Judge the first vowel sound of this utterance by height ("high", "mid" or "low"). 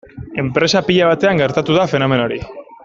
mid